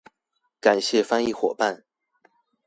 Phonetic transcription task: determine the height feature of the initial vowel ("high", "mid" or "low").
low